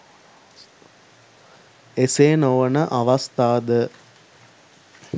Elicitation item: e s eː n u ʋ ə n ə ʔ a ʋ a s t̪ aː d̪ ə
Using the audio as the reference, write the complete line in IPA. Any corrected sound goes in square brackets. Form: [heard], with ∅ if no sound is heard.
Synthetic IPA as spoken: e s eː n [o] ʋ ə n ə ʔ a ʋ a s t̪ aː d̪ ə